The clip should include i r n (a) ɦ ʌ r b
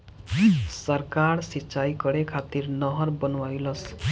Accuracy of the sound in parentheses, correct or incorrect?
incorrect